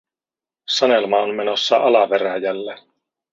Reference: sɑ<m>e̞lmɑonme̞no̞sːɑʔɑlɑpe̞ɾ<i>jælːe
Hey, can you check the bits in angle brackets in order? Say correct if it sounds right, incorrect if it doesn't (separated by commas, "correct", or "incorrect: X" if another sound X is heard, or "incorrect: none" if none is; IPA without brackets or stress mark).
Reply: incorrect: n, incorrect: æ